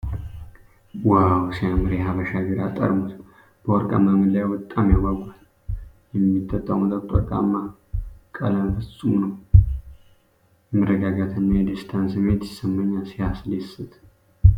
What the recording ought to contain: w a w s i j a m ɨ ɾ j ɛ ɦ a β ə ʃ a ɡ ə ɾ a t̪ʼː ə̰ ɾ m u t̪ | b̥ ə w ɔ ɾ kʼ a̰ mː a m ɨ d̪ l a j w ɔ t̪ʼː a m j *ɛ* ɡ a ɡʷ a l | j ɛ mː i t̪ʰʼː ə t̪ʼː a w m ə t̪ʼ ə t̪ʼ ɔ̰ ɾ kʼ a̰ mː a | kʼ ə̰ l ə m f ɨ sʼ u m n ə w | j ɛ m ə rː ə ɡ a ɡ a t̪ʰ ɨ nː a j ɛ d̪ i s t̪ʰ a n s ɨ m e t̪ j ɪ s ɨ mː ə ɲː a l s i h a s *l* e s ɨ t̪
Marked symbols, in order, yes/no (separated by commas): no, yes